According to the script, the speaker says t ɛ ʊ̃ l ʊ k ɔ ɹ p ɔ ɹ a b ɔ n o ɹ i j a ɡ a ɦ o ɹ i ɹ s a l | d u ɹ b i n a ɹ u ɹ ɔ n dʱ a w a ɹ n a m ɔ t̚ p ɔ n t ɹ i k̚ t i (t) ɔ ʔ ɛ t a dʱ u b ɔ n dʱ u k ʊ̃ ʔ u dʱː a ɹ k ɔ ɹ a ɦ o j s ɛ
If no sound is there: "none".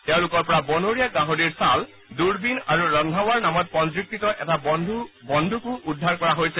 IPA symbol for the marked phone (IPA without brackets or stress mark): t